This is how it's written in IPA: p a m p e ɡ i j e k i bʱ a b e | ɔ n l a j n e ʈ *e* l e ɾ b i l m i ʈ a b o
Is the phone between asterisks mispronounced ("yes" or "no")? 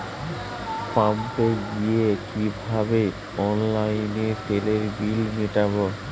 no